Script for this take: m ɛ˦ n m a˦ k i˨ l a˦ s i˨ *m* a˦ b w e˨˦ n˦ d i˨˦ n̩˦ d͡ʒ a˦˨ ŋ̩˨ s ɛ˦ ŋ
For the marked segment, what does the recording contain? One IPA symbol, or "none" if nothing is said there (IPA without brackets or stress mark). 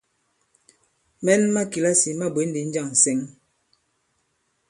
m